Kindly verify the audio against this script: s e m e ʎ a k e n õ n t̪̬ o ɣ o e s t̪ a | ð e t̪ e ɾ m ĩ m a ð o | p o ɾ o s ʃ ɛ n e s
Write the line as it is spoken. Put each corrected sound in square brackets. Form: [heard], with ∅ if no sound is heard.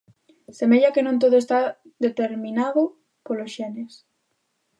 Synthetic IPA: s e m e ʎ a k e n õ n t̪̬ o [ð] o e s t̪ a | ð e t̪ e ɾ m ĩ [n] a ð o | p o [l] o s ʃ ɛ n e s